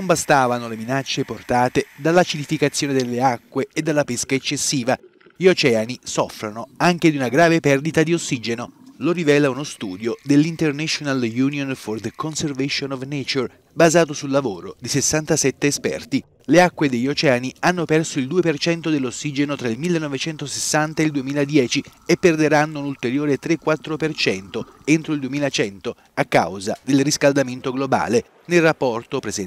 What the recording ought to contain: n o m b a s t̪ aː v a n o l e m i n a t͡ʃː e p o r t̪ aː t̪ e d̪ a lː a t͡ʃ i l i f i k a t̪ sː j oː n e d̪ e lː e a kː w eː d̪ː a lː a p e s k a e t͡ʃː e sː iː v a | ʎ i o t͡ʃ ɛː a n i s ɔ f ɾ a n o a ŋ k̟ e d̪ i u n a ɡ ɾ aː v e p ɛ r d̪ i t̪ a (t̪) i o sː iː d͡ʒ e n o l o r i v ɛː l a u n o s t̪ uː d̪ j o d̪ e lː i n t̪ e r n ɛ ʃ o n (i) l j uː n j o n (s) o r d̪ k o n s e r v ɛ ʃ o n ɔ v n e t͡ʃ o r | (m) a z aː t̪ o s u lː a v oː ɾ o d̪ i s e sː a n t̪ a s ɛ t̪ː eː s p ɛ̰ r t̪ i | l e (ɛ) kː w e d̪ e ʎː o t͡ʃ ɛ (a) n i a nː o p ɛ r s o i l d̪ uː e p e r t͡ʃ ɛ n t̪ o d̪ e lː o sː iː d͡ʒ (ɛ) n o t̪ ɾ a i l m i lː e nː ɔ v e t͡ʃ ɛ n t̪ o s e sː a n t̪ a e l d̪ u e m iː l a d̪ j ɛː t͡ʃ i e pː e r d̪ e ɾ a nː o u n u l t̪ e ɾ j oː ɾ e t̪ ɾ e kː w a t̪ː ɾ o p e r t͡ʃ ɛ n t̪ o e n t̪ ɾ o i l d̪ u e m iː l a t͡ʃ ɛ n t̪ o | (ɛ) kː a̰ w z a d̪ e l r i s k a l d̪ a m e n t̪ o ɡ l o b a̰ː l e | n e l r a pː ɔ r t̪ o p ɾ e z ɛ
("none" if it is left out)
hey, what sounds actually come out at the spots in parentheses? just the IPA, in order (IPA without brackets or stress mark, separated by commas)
d̪, a, f, b, a, a, e, a